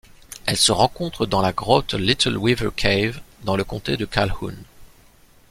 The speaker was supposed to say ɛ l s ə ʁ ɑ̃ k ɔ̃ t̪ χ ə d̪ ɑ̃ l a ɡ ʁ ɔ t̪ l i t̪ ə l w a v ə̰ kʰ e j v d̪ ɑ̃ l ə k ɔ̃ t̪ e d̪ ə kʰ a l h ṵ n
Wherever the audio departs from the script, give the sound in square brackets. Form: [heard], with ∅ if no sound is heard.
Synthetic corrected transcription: ɛ l s ə ʁ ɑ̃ k ɔ̃ t̪ χ ə d̪ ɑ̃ l a ɡ ʁ ɔ t̪ l i t̪ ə l w [i] v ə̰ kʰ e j v d̪ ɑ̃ l ə k ɔ̃ t̪ e d̪ ə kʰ a l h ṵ n